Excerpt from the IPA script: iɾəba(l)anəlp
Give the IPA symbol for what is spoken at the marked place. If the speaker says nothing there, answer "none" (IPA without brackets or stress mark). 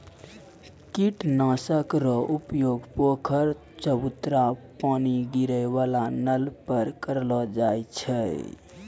l